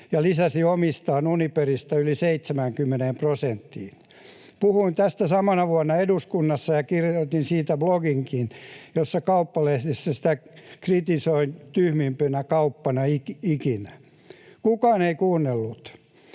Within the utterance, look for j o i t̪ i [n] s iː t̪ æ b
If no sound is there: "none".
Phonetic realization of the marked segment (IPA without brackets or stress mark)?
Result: n